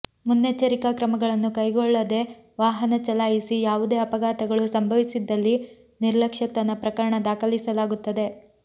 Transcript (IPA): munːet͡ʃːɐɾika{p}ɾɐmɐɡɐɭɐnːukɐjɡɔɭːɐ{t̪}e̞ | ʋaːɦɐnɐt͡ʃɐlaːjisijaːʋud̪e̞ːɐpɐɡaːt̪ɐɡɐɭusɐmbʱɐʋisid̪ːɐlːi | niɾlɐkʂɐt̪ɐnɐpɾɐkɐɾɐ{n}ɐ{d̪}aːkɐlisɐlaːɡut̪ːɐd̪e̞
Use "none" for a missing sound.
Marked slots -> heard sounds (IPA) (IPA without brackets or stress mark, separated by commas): k, d̪, ɳ, d̪